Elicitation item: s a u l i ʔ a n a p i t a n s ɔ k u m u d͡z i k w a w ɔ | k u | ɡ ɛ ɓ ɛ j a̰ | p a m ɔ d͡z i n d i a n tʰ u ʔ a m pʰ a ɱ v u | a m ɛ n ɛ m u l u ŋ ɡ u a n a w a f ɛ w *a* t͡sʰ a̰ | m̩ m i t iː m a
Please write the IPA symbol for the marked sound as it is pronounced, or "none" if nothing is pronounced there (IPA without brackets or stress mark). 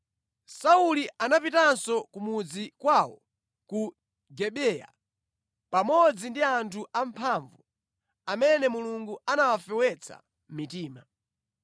ɛ